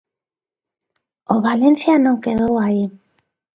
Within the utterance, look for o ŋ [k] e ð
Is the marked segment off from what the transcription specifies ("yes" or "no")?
no